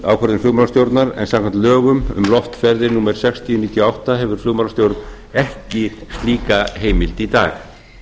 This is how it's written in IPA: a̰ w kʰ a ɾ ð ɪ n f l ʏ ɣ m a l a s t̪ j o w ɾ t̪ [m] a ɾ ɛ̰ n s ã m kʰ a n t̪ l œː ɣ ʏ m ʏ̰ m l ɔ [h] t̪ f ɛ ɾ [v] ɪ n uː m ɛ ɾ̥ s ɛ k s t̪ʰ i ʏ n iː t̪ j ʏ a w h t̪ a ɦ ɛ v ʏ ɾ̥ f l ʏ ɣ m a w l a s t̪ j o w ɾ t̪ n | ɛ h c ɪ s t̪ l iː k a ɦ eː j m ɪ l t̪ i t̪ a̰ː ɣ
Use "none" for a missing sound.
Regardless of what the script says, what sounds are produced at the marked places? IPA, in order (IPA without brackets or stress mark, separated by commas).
n, f, ð